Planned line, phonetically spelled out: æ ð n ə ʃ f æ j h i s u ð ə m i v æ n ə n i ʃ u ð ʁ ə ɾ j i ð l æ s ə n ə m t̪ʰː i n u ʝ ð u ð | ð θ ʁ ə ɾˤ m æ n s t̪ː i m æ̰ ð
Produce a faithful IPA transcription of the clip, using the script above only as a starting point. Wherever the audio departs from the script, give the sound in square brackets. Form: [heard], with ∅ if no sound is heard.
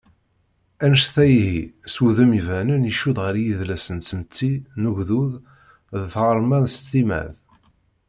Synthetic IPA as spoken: æ [∅] n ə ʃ [θ] æ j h i s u ð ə m i v æ n ə n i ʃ u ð ʁ ə ɾ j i ð l æ s ə n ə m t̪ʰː i n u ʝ ð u ð | ð θ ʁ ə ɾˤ m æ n s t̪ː i m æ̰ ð

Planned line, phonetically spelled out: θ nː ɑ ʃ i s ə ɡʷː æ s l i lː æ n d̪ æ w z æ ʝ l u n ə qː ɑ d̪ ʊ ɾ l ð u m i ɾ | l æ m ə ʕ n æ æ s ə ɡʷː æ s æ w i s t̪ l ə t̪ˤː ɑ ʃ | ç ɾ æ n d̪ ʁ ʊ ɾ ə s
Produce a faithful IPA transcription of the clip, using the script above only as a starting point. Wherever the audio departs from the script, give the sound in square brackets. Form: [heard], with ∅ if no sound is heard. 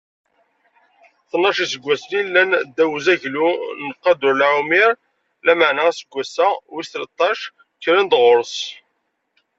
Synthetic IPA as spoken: θ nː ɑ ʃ i s ə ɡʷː æ s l i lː æ n d̪ æ w z æ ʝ l u n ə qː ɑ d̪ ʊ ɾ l [ʕ] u m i ɾ | l æ m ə ʕ n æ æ s ə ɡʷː æ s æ w i s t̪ l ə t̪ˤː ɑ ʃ | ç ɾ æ n d̪ ʁ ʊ ɾ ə s

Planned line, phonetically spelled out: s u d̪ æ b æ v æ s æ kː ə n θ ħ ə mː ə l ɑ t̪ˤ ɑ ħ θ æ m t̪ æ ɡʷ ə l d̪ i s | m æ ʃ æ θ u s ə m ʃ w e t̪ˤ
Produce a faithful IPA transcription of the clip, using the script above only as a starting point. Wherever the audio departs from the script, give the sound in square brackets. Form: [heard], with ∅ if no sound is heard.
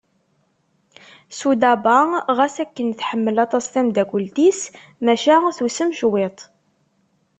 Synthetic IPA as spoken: s u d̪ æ b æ [ʁ] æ s æ kː ə n θ ħ ə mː ə l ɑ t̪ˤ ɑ [s] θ æ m [d̪] æ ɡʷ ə l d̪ i s | m æ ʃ æ θ u s ə m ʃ w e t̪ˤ

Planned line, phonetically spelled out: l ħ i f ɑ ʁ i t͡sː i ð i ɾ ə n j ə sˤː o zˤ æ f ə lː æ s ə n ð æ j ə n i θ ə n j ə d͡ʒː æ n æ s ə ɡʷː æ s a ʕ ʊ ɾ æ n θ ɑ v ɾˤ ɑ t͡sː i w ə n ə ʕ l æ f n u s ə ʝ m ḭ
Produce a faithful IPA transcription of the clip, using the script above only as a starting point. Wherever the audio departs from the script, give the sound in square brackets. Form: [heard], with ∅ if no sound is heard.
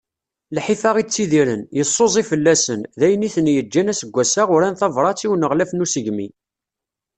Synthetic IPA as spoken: l ħ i f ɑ ʁ i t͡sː i ð i ɾ ə n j ə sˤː o zˤ [i] f ə lː æ s ə n ð æ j ə n i θ ə n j ə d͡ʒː æ n æ s ə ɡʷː æ s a [ʁ] ʊ ɾ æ n θ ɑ v ɾˤ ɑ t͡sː i w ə n ə [ʁ] l æ f n u s ə ʝ m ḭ

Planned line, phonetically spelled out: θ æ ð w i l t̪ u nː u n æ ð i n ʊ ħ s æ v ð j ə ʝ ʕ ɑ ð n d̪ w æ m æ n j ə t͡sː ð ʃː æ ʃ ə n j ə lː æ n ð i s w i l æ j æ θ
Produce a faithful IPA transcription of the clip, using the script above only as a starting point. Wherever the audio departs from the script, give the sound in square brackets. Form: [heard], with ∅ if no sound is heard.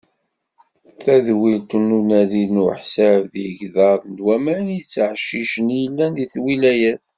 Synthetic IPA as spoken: θ æ ð w i l t̪ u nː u n æ ð i n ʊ ħ s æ v ð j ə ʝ [ð] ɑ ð n d̪ w æ m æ n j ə t͡sː [ʕ] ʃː [i] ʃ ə n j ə lː æ n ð i [θ] w i l æ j æ θ

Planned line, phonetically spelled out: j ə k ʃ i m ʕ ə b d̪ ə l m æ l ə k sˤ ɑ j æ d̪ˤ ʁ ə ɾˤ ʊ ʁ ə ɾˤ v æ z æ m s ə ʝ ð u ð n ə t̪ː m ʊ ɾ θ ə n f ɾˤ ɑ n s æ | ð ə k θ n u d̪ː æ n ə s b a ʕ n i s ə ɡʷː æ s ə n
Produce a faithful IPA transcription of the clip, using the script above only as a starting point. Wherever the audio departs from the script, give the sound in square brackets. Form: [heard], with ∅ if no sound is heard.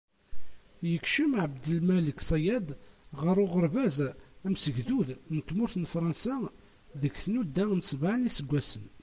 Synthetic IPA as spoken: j ə k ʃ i m ʕ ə b d̪ ə l m æ l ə k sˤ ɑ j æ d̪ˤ ʁ ə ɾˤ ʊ ʁ ə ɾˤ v æ z æ m s ə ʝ ð u ð n ə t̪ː m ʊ ɾ θ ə n f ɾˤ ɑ n s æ | ð ə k θ n u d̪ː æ n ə s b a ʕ n i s ə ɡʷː æ s ə n

